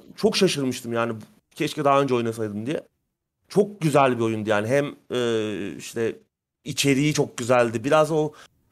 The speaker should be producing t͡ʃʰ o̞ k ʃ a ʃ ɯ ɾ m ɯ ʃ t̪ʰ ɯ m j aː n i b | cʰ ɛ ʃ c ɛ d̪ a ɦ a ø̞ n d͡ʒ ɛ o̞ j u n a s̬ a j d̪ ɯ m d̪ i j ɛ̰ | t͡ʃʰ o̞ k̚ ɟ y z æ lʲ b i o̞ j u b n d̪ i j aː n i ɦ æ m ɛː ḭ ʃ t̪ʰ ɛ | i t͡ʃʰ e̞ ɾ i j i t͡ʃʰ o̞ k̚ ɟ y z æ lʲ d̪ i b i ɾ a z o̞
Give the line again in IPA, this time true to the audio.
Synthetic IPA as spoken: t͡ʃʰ o̞ k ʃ a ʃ ɯ ɾ m ɯ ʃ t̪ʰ ɯ m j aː n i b | cʰ ɛ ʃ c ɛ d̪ a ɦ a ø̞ n d͡ʒ ɛ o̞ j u n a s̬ a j d̪ ɯ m d̪ i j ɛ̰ | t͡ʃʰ o̞ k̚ ɟ y z æ lʲ b i o̞ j u n d̪ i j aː n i ɦ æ m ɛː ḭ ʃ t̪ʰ ɛ | i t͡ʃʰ e̞ ɾ i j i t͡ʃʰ o̞ k̚ ɟ y z æ lʲ d̪ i b i ɾ a z o̞